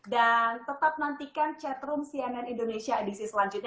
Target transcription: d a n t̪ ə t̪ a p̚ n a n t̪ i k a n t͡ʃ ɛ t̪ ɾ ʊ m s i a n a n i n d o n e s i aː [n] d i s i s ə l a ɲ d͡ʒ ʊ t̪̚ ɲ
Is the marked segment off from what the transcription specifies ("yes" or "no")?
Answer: yes